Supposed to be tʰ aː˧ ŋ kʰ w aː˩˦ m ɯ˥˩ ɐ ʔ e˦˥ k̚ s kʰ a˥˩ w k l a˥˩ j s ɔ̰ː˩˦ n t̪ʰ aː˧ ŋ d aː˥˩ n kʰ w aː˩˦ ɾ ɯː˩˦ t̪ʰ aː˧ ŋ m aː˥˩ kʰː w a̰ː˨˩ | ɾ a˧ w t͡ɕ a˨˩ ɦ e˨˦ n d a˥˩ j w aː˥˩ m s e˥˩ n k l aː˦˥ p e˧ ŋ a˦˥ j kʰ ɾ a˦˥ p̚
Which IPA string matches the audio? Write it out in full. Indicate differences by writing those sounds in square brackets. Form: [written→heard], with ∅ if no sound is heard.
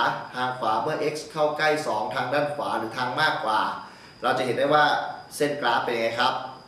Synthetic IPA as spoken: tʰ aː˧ ŋ kʰ w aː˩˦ m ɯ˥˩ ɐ ʔ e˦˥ k̚ s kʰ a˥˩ w k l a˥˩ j s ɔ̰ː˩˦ [n→ŋ] t̪ʰ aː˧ ŋ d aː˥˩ n kʰ w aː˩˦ ɾ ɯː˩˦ t̪ʰ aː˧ ŋ m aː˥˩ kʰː w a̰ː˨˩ | ɾ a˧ w t͡ɕ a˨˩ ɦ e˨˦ n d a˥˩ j w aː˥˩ [m→∅] s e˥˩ n k l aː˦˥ p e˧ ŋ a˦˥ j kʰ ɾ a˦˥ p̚